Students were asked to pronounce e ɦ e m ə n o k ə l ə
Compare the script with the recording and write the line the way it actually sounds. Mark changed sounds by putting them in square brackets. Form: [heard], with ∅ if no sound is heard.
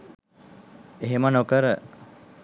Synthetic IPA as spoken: e ɦ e m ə n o k ə [ɾ] ə

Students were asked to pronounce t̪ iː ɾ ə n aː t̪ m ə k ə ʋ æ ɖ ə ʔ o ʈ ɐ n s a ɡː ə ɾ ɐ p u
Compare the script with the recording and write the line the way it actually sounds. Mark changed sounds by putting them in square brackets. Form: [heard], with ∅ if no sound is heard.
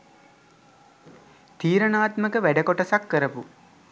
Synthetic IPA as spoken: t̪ iː ɾ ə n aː t̪ m ə k ə ʋ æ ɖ ə [k] o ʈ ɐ [∅] s a [kː] ə ɾ [ə] p u

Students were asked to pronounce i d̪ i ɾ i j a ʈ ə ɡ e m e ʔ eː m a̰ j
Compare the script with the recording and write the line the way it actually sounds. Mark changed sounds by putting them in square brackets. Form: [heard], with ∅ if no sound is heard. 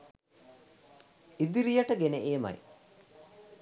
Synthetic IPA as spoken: i d̪ i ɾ i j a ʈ ə ɡ e [n] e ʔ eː m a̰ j

